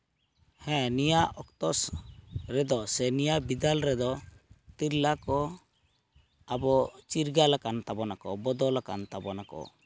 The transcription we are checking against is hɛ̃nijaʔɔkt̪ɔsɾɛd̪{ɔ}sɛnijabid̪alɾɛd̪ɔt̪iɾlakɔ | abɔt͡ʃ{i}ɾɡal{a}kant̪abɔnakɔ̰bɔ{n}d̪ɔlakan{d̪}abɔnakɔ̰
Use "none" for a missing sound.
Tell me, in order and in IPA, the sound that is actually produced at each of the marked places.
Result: ɔ, i, a, none, t̪

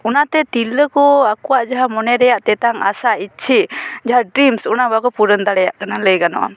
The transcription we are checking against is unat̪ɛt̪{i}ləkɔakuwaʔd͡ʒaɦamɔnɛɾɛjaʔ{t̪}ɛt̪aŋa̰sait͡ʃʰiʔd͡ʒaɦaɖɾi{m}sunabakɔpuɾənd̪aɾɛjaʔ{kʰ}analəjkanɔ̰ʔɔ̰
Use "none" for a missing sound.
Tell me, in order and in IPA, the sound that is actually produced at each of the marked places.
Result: i, t̪, m, k

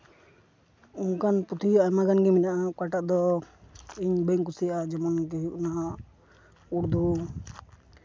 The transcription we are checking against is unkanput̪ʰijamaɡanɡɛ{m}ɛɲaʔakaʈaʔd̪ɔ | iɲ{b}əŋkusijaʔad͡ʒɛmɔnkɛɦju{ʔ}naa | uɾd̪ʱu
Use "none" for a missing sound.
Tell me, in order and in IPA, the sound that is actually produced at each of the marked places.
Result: m, b, ʔ

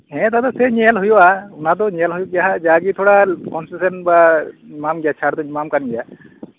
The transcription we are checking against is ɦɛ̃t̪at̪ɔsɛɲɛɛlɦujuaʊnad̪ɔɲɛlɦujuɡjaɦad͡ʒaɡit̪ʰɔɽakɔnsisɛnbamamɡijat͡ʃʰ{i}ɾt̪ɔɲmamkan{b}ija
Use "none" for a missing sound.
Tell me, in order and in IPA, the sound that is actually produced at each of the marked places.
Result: a, ɡ

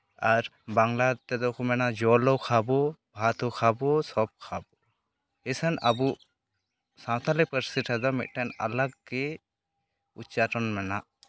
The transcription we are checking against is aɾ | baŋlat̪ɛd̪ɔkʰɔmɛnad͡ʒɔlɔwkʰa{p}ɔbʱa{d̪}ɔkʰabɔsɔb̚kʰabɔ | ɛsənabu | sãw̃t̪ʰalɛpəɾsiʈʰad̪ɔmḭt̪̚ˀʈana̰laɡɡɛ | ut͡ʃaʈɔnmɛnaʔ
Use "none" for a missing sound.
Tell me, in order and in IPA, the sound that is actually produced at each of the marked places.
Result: b, t̪

